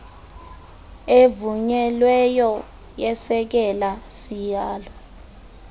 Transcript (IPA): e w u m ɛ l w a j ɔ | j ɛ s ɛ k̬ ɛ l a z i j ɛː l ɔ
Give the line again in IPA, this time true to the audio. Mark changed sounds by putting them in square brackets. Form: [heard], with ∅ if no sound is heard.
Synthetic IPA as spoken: e [v] u [ɲ] ɛ l w [ɛ] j ɔ | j ɛ s ɛ k̬ ɛ l a [s] i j [aː] l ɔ